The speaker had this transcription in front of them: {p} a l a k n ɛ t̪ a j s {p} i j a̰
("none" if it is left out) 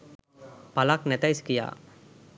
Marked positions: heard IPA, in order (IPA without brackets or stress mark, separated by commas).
p, k